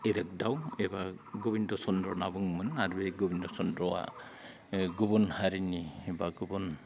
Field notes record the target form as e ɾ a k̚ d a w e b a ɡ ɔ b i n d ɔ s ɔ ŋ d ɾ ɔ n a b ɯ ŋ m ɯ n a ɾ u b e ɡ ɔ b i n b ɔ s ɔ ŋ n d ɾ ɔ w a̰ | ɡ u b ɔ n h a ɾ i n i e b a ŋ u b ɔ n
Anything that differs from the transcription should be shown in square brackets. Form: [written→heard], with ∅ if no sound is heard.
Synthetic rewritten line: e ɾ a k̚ d a w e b a ɡ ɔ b i n d ɔ s ɔ [ŋ→n] d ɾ ɔ n a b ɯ ŋ m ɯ n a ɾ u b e ɡ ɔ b i n [b→d] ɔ s ɔ [ŋ→∅] n d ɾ ɔ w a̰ | ɡ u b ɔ n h a ɾ i n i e b a [ŋ→ɡ] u b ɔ n

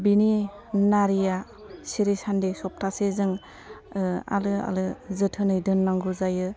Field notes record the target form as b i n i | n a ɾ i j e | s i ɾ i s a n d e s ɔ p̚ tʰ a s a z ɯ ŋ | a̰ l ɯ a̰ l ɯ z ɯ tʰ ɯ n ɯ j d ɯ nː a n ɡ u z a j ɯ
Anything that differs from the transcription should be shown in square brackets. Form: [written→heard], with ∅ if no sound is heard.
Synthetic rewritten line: b i n i | n a ɾ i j [e→a] | s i ɾ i s a n d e s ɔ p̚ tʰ a s [a→e] z ɯ ŋ | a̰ l ɯ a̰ l ɯ z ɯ tʰ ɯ n ɯ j d ɯ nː a [n→ŋ] ɡ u z a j ɯ

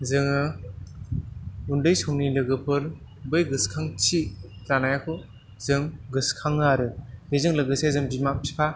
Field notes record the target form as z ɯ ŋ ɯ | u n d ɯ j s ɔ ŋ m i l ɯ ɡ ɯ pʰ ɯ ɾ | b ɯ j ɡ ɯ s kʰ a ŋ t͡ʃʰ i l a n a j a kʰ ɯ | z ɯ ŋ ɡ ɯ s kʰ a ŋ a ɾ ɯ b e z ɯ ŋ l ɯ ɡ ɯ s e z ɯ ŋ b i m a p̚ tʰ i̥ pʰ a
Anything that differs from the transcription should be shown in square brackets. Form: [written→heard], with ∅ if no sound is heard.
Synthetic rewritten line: z ɯ ŋ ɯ | u n d ɯ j s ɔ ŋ [m→n] i l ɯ ɡ ɯ pʰ ɯ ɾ | b ɯ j ɡ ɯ s kʰ a ŋ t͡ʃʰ i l a n a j a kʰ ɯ | z ɯ ŋ ɡ ɯ s kʰ a ŋ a ɾ ɯ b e z ɯ ŋ l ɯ ɡ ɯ s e z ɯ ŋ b i m a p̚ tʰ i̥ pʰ a

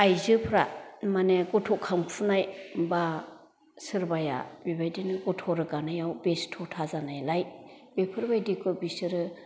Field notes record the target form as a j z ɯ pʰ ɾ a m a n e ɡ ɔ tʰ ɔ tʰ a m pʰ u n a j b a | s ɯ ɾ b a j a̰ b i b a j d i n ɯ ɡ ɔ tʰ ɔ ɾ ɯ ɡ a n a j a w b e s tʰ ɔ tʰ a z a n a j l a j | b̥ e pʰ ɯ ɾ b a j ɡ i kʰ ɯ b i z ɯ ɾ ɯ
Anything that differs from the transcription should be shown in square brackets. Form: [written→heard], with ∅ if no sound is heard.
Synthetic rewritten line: a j z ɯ pʰ ɾ a m a n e ɡ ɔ tʰ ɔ [tʰ→kʰ] a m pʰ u n a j b a | s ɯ ɾ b a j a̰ b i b a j d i n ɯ ɡ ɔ tʰ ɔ ɾ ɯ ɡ a n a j a w b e s tʰ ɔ tʰ a z a n a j l a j | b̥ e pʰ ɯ ɾ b a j [ɡ→d] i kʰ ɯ b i [z→s] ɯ ɾ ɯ

